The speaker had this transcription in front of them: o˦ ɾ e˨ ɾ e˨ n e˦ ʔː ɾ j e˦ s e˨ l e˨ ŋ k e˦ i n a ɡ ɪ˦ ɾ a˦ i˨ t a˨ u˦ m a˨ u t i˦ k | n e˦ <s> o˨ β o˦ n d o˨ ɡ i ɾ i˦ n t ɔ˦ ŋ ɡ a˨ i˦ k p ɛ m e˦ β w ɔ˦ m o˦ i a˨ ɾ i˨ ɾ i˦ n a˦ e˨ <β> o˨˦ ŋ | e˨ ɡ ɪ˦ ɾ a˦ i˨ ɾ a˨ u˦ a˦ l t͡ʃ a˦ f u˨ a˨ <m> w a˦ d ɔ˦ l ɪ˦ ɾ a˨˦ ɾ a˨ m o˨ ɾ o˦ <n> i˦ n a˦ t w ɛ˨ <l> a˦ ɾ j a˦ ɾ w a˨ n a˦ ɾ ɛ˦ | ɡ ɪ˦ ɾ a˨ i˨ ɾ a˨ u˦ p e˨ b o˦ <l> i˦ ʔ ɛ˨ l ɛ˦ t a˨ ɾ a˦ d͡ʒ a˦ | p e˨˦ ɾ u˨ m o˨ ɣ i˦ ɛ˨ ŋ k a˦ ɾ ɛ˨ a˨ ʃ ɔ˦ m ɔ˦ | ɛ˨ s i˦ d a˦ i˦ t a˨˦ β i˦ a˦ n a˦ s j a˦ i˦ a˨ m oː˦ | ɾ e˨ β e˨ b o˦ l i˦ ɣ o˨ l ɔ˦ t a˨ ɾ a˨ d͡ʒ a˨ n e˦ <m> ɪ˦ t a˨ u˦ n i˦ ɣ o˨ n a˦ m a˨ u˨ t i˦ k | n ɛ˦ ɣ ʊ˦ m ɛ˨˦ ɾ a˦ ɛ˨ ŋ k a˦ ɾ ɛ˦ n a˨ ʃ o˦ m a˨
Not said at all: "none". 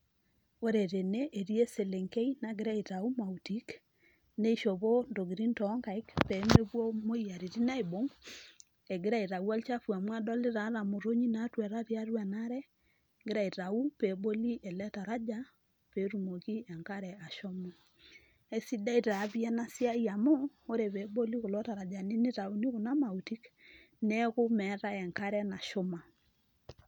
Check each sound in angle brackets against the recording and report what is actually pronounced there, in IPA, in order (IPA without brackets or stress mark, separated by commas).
ʃ, b, m, ɲ, ɾ, l, n